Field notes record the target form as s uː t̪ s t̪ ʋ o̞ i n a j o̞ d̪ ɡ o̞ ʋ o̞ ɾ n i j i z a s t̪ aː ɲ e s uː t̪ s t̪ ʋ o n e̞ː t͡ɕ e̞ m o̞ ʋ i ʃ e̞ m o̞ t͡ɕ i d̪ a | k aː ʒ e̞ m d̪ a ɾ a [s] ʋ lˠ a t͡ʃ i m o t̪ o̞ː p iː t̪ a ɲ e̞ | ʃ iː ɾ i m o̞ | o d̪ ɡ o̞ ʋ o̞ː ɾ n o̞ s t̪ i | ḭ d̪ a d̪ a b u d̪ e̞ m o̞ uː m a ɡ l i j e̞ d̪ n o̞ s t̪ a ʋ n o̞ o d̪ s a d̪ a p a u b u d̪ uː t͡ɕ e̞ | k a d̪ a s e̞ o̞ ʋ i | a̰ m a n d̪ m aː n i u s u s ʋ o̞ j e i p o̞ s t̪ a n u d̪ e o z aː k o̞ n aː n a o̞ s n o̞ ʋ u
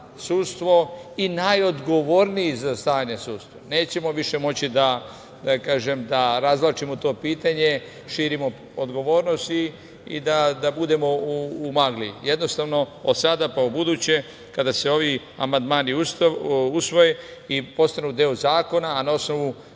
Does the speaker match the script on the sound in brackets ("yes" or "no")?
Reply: no